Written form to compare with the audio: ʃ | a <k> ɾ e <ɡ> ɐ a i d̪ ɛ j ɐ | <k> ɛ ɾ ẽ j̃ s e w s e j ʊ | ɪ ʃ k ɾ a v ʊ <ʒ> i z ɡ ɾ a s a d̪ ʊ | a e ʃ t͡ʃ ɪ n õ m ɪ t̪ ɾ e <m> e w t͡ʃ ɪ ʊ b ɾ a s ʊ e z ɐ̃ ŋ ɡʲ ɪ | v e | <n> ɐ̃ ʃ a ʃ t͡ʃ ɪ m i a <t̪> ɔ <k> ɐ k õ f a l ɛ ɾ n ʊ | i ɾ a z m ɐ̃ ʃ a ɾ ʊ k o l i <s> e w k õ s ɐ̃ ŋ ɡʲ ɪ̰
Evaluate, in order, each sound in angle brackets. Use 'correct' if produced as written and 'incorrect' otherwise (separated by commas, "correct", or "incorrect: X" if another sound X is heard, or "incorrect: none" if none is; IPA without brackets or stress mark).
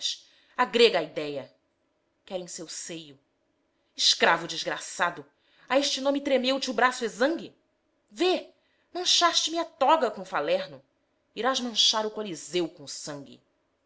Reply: incorrect: ɡ, correct, correct, incorrect: d͡ʒ, correct, incorrect: m, correct, incorrect: ɡ, incorrect: z